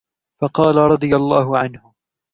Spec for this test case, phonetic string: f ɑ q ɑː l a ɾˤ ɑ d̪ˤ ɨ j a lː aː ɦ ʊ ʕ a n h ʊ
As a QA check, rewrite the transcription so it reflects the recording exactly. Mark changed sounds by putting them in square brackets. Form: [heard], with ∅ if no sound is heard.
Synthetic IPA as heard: f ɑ q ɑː l a ɾˤ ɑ d̪ˤ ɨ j a lː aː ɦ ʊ ʕ a n h ʊ